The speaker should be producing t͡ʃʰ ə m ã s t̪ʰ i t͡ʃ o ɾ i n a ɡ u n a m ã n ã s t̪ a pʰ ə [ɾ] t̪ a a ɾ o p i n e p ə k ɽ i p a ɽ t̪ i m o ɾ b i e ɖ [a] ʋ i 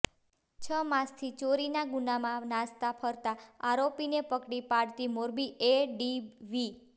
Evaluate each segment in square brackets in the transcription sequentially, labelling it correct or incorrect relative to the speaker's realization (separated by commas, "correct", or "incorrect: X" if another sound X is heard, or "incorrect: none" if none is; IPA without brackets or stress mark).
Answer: correct, incorrect: i